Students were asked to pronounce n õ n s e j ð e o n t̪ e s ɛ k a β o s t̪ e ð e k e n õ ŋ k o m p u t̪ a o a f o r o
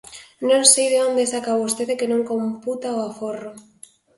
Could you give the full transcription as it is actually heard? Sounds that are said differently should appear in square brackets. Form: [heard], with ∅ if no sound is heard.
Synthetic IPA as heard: n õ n s e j ð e o n [d̪] e s [a] k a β o s t̪ e ð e k e n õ ŋ k o m p u t̪ a o a f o r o